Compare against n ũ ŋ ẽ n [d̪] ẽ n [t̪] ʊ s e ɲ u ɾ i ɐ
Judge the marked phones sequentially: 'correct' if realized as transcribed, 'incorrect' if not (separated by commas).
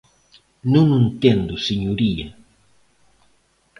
incorrect, incorrect